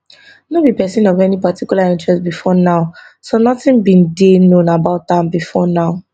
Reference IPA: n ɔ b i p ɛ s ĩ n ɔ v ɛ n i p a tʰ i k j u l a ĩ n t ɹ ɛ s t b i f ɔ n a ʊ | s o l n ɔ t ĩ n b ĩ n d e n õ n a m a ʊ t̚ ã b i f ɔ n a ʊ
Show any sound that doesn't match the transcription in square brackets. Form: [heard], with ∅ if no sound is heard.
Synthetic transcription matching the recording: n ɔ b i p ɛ s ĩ n ɔ v ɛ n i p a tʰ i k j u l a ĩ n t ɹ ɛ s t b i f ɔ n a ʊ | s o [∅] n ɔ t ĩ n b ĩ n d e n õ n a [b] a ʊ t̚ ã b i f ɔ n a ʊ